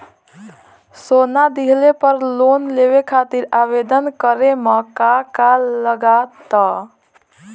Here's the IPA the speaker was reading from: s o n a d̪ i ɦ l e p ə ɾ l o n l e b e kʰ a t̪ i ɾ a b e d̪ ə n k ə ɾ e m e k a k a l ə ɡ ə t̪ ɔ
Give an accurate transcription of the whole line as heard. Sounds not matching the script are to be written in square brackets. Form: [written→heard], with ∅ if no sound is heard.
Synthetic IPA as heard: s o n a d̪ i ɦ l e p ə ɾ l o n l e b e kʰ a t̪ i ɾ a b e d̪ ə n k ə ɾ e m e k a k a l ə ɡ [ə→a] t̪ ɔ